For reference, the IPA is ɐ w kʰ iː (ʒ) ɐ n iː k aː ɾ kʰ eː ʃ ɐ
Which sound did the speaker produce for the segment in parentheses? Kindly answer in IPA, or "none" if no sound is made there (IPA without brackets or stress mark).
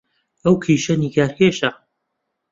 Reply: ʃ